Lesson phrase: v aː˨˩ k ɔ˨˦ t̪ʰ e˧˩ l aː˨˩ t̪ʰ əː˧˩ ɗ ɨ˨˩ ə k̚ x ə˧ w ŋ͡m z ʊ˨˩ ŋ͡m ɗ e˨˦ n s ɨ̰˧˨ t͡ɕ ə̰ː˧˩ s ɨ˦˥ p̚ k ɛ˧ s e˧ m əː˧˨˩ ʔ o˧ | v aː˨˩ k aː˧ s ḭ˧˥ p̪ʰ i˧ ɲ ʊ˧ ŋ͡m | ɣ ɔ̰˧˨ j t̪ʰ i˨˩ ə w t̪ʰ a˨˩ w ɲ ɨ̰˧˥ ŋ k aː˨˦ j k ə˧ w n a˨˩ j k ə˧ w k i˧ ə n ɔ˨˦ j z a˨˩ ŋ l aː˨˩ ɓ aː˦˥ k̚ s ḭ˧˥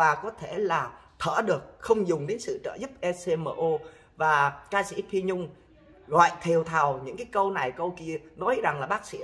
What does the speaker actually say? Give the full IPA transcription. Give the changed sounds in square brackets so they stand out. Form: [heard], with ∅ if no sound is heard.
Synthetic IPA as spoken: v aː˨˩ k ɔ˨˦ t̪ʰ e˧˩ l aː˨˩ t̪ʰ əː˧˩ ɗ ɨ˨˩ ə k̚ x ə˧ w ŋ͡m z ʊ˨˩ ŋ͡m ɗ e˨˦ n s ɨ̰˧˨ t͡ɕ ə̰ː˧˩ [z] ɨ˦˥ p̚ [ʔ] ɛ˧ s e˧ m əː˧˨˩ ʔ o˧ | v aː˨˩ k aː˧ s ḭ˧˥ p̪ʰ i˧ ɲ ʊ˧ ŋ͡m | ɣ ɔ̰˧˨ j t̪ʰ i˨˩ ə w t̪ʰ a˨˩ w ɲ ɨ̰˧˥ ŋ k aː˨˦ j k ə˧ w n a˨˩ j k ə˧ w k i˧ ə n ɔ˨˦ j z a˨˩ ŋ l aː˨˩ ɓ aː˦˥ k̚ s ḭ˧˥

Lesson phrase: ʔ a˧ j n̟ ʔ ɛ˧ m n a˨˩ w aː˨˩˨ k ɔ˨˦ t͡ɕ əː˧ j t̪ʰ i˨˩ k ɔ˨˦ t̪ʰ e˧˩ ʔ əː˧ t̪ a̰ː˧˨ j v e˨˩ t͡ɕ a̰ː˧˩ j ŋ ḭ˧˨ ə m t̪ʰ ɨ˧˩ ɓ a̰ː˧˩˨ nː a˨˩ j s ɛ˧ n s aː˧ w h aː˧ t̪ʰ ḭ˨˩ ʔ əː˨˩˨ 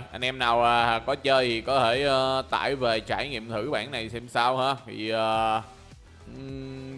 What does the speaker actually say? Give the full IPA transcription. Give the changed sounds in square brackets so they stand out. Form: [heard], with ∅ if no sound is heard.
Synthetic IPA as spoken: ʔ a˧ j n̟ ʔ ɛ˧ m n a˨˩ w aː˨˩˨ k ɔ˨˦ t͡ɕ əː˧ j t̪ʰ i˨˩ k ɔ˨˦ t̪ʰ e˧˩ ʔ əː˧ t̪ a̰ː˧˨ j v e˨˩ t͡ɕ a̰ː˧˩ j ŋ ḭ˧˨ ə m t̪ʰ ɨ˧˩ ɓ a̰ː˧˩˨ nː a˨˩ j s ɛ˧ [m] s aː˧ w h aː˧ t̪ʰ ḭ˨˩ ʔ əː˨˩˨

